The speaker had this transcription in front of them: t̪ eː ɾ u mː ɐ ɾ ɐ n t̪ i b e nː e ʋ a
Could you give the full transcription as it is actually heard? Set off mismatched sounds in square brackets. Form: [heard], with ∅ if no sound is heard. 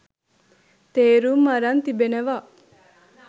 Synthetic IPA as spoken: t̪ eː ɾ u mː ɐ ɾ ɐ n t̪ i b e [n] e ʋ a